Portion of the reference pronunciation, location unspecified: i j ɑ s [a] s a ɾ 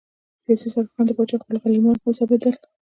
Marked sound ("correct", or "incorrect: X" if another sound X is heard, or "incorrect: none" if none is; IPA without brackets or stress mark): incorrect: i